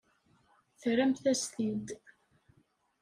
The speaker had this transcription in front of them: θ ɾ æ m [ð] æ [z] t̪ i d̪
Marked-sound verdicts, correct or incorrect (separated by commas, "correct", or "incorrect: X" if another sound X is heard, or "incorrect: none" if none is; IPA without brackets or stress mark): incorrect: θ, incorrect: s